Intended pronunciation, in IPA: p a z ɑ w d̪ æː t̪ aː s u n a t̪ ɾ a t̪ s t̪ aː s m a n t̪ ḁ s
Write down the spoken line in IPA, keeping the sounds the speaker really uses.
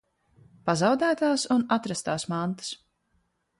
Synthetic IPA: p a z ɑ w d̪ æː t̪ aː s u n a t̪ ɾ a s t̪ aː s m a n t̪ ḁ s

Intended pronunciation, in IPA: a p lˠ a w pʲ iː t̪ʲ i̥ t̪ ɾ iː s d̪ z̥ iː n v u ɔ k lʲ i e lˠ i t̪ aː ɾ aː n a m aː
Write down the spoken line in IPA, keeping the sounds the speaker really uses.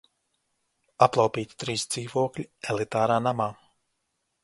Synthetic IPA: a p lˠ a w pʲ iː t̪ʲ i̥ t̪ ɾ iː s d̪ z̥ iː v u ɔ k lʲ i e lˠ i t̪ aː ɾ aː n a m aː

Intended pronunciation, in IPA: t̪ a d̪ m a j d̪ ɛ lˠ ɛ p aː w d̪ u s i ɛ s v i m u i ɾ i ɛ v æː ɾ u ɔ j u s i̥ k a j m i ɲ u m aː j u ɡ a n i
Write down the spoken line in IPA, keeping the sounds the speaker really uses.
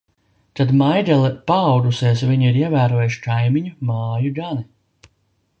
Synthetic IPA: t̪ a d̪ m a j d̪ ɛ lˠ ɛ p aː w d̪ u s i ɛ s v i ɲ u i ɾ i ɛ v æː ɾ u ɔ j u ʃ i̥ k a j m i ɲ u m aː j u ɡ a n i

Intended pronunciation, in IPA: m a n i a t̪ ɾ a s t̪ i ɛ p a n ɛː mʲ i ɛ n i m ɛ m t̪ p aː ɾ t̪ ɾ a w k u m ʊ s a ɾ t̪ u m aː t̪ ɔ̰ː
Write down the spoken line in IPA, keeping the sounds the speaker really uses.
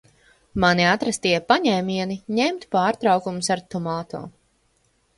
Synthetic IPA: m a n i a t̪ ɾ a s t̪ i ɛ p a ɲ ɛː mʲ i ɛ n i ɲ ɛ m t̪ p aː ɾ t̪ ɾ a w k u m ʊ s a ɾ t̪ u m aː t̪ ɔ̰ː

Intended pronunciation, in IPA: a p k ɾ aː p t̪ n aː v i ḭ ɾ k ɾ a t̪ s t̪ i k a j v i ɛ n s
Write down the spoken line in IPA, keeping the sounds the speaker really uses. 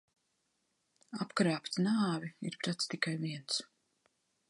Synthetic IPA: a p k ɾ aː p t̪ n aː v i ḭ ɾ p ɾ a t̪ s t̪ i k a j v i ɛ n s

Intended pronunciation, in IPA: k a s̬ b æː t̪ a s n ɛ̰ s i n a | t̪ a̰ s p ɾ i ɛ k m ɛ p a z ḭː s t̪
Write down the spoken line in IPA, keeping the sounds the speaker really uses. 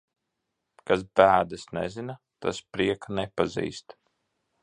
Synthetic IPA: k a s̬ b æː d̪ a s n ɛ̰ z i n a | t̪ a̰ s p ɾ i ɛ k n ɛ p a z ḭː s t̪

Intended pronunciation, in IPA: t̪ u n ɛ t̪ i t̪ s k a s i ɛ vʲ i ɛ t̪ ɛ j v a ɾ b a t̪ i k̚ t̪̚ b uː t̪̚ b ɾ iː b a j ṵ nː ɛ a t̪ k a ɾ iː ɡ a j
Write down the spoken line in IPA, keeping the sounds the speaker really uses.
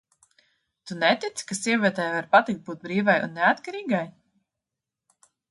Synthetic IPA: t̪ u n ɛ t̪ i t̪ s k a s i ɛ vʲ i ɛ t̪ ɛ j v a ɾ p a t̪ i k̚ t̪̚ b uː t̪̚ b ɾ iː v a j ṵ nː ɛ a t̪ k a ɾ iː ɡ a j

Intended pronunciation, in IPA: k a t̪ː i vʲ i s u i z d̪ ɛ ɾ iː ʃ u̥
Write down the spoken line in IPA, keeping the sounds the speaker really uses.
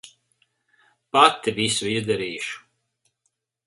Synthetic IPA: p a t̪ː i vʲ i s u i z d̪ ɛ ɾ iː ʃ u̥

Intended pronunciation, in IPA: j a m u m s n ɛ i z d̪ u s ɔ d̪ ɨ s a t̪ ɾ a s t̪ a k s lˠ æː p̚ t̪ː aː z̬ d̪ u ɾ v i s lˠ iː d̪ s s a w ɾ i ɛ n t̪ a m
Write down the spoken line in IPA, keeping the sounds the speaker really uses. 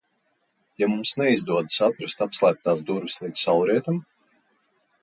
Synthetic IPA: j a m u m s n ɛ i z d̪ u ɔ d̪ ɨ s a t̪ ɾ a s t̪ a p s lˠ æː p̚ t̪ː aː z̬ d̪ u ɾ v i s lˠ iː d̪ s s a w ɾ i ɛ t̪ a m

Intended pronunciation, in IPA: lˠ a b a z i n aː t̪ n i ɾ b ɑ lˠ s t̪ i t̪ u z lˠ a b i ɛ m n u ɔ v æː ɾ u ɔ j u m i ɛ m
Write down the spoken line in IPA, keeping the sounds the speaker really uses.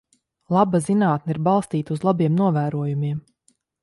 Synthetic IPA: lˠ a b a z i n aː t̪ n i ɾ b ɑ lˠ s t̪ iː t̪ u z lˠ a b i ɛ m n u ɔ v æː ɾ u ɔ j u m i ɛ m

